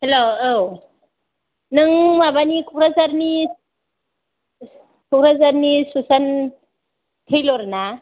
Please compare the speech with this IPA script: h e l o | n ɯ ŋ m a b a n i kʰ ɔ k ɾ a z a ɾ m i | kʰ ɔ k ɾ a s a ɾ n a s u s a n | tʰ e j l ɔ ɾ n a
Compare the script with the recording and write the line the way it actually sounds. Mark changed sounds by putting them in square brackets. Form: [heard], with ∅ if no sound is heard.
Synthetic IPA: h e l o | n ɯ ŋ m a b a n i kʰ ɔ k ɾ a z a ɾ [n] i | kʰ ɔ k ɾ a [z] a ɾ n [i] s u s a n | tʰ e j l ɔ ɾ n a